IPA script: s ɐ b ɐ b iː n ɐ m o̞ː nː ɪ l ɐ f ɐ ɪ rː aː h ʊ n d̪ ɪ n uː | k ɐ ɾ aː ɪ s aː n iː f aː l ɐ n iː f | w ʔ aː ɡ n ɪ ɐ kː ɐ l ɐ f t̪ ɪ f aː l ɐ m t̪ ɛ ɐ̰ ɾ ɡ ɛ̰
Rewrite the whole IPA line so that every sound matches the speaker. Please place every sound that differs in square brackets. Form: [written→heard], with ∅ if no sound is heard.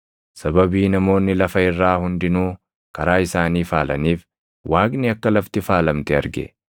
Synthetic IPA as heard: s ɐ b ɐ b iː n ɐ m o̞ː nː ɪ l ɐ f ɐ ɪ rː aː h ʊ n d̪ ɪ n uː | k ɐ ɾ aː ɪ s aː n iː f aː l ɐ n iː f | w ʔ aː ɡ n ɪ ɐ kː ɐ l ɐ f t̪ ɪ f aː l ɐ m t̪ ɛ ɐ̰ ɾ ɡ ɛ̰